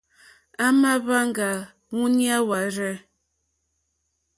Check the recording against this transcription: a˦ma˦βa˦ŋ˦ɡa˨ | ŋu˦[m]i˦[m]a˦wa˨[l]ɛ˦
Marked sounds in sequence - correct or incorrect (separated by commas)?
incorrect, incorrect, incorrect